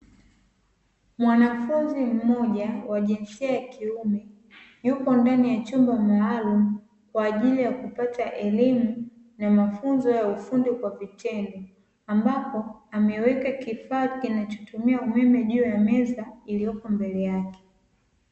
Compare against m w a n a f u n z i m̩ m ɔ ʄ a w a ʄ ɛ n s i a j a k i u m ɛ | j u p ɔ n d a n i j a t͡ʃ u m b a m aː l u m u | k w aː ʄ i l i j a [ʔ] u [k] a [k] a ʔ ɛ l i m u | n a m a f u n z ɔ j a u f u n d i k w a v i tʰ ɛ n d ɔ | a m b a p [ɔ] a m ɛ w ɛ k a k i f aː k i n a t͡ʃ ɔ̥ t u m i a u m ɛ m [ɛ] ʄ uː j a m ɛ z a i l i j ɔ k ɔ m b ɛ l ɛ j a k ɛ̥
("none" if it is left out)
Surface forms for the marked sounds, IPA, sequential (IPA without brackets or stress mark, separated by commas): k, p, t, ɔ, ɛ